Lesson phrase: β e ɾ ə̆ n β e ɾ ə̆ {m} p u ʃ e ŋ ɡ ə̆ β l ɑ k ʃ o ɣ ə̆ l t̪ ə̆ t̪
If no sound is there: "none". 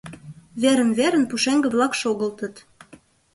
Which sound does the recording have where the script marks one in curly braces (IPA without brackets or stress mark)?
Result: n